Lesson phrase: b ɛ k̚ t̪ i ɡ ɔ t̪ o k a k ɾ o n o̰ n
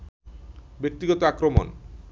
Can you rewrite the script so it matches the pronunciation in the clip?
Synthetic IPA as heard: b e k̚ t̪ i ɡ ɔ t̪ o a k ɾ o m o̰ n